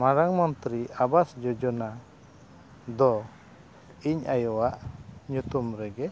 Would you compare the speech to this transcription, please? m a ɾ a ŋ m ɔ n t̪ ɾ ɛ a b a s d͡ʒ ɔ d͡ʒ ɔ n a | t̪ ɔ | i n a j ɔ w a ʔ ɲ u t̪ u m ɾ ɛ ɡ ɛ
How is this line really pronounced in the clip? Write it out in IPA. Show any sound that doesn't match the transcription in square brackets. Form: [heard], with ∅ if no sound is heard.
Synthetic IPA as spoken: m a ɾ a ŋ m ɔ n t̪ ɾ [i] a b a s d͡ʒ ɔ d͡ʒ ɔ n a | [d̪] ɔ | i [ɲ] a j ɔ w a ʔ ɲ u t̪ u m ɾ ɛ ɡ ɛ

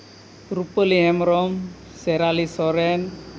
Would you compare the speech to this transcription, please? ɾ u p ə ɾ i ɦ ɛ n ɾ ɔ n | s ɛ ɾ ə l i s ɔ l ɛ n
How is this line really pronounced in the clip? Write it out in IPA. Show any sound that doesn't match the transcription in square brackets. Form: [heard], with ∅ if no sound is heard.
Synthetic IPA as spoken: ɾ u p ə [l] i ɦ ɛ [m] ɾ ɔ [m] | s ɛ ɾ [a] l i s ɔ [ɾ] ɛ n

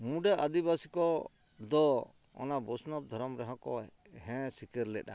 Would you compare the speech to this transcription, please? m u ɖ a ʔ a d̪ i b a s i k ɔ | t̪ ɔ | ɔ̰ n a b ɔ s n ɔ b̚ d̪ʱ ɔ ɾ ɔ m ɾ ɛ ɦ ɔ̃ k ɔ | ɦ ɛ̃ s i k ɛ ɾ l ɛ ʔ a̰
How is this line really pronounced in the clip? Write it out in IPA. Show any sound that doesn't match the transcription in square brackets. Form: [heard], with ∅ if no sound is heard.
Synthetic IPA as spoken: m u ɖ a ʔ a d̪ i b a s i k ɔ | [d̪] ɔ | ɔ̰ n a b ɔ s n ɔ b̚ d̪ʱ ɔ ɾ ɔ m ɾ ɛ ɦ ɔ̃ k ɔ | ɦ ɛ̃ s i k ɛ ɾ l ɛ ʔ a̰

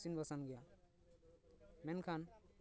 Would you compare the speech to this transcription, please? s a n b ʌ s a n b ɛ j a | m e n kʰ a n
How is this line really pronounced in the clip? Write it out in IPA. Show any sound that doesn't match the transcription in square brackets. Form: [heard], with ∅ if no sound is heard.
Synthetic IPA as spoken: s [i] n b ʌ s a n [ɡ] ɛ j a | m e n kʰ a n

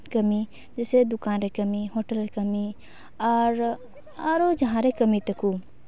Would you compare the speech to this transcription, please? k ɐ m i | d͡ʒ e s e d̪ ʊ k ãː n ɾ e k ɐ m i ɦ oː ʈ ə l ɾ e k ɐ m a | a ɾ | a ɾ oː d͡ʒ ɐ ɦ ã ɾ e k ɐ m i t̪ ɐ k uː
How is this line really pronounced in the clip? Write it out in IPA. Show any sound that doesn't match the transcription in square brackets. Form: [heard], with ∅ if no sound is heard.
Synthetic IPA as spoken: k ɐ m i | d͡ʒ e s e d̪ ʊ k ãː n ɾ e k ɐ m i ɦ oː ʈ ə l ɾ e k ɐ m [i] | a ɾ | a ɾ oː d͡ʒ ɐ ɦ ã ɾ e k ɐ m i t̪ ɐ k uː

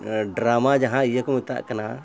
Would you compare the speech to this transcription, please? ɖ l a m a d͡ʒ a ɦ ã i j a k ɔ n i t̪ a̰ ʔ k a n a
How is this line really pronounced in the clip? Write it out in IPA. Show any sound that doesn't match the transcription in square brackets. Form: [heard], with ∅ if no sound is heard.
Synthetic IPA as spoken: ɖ [ɾ] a m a d͡ʒ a ɦ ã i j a k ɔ [m] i t̪ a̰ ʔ k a n a

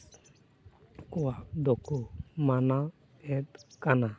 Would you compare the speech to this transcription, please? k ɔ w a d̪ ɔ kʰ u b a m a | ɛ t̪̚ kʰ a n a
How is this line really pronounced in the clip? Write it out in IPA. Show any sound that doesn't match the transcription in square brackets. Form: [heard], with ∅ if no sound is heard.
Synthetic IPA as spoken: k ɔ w a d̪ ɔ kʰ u [m] a [n] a | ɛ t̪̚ [k] a n a

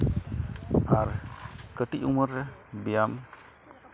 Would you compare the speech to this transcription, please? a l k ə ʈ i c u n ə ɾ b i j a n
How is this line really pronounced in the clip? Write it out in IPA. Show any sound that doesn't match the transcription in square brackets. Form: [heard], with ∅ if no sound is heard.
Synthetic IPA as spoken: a [ɾ] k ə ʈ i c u [m] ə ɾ b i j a [m]

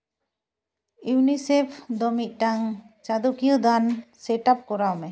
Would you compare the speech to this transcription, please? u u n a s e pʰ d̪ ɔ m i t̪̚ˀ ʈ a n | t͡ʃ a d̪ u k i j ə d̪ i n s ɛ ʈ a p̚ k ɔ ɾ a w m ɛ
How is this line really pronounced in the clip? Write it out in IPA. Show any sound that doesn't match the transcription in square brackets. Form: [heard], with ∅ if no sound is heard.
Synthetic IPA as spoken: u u n [i] s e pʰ d̪ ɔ m i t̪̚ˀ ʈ a [ŋ] | t͡ʃ a d̪ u k i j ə d̪ [a] n s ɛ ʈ a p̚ k ɔ ɾ a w m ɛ

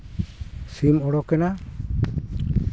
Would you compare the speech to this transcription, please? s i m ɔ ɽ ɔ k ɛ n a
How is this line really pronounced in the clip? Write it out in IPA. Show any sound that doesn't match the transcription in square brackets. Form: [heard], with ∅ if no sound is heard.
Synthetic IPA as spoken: s i m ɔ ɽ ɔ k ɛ n a

